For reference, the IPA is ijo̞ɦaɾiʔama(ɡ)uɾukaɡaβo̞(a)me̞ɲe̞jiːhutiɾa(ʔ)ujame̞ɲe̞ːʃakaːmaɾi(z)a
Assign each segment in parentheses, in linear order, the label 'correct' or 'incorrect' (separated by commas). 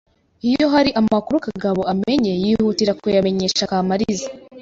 incorrect, correct, incorrect, correct